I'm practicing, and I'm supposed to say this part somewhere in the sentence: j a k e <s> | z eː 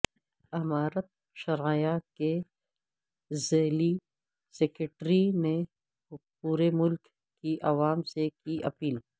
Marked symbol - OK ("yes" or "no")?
no